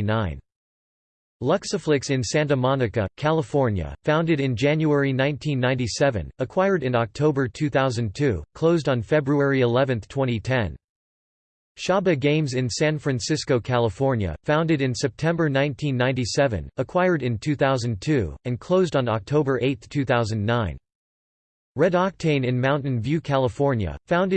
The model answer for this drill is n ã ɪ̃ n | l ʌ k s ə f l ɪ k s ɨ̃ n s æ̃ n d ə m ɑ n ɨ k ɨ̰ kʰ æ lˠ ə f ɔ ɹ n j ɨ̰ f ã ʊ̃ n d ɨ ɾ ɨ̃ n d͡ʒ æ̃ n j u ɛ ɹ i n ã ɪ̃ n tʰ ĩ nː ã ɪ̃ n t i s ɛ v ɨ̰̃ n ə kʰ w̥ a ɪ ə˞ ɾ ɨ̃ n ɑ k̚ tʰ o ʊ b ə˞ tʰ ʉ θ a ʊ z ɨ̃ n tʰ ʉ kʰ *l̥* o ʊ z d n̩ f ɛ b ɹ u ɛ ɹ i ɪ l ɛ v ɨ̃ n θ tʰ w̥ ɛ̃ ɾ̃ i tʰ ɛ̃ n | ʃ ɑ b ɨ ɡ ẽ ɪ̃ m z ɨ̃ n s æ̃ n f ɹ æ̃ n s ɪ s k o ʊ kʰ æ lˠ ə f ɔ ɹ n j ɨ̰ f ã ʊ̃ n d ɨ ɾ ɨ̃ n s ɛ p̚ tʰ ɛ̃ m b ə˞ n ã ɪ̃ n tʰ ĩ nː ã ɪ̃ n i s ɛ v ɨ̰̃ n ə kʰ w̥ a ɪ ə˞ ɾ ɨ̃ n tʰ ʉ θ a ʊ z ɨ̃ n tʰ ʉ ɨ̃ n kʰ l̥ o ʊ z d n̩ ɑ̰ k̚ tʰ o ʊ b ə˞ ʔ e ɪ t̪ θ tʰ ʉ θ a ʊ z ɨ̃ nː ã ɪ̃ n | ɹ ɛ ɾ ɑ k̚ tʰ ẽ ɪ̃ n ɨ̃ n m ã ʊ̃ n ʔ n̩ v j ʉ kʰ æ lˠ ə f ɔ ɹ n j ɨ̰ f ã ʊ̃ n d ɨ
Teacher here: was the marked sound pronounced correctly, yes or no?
yes